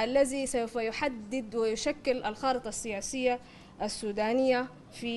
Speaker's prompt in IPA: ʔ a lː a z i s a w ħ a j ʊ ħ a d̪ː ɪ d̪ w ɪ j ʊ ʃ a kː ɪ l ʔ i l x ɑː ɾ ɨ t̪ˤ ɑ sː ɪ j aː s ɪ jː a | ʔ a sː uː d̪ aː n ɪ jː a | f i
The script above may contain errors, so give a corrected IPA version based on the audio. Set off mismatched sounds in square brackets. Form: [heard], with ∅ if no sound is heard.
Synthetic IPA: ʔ a lː a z i s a w [f] a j ʊ ħ a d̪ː ɪ d̪ w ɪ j ʊ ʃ a kː ɪ l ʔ [a] l x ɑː ɾ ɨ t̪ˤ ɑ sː ɪ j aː s ɪ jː a | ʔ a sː uː d̪ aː n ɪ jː a | f i